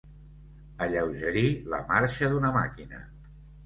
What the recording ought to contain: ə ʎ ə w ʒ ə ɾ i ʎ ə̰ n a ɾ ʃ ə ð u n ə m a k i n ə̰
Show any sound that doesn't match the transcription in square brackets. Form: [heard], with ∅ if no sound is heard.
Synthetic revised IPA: ə ʎ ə w ʒ ə ɾ i [l] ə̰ [m] a ɾ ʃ ə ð u n ə m a k i n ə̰